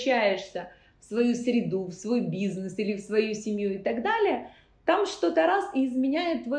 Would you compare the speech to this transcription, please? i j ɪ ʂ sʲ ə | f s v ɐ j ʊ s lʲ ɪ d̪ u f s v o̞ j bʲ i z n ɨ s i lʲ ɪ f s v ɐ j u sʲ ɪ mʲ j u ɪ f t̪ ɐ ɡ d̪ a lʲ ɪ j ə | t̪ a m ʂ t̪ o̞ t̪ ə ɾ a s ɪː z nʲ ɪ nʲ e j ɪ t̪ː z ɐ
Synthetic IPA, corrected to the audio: æ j ɪ ʂ sʲ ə | f s v ɐ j u s ɾʲ ɪ d̪ u f s v o̞ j bʲ i z n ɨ s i lʲ ɪ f s v ɐ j u sʲ ɪ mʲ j u ɪ t̪ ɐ ɡ d̪ a lʲ ɪ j ə | t̪ a m ʂ t̪ o̞ t̪ ə ɾ a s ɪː z mʲ ɪ nʲ æ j ɪ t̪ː v ɐ